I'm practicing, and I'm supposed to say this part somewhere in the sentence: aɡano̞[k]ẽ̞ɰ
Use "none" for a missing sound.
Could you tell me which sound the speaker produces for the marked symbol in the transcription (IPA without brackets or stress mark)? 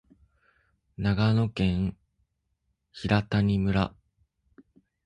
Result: k